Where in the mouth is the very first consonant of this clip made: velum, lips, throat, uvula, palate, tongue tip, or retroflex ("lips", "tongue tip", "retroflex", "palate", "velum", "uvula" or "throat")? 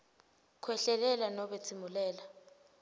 velum